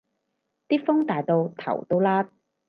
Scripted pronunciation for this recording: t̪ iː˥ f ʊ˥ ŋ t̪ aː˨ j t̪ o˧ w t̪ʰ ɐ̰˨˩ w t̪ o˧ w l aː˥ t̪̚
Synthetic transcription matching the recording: t̪ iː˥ f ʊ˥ ŋ t̪ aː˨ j t̪ o˧ w t̪ʰ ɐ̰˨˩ w t̪ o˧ w l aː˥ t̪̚